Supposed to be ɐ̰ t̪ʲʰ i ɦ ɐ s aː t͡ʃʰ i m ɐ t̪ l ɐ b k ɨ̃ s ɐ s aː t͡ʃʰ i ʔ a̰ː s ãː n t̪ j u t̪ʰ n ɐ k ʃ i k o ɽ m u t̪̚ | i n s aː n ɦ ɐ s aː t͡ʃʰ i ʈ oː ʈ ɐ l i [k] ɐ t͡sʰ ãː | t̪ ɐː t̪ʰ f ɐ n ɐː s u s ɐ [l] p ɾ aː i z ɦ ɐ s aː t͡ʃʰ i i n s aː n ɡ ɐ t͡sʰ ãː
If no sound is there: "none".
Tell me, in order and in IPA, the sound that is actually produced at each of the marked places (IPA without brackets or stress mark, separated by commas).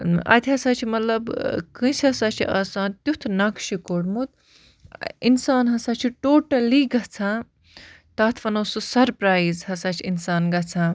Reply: ɡ, ɾ